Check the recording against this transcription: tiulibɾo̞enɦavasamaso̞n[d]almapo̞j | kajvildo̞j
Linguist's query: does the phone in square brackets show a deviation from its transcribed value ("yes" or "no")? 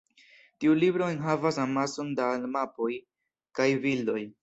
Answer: no